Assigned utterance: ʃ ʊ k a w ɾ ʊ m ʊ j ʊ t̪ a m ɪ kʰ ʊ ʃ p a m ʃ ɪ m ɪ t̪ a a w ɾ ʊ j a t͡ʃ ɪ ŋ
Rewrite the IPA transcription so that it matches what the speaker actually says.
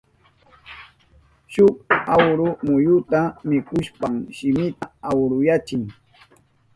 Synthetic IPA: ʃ ʊ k a w ɾ ʊ m ʊ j ʊ t̪ a m ɪ k ʊ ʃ p a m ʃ ɪ m ɪ t̪ a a w ɾ ʊ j a t͡ʃ ɪ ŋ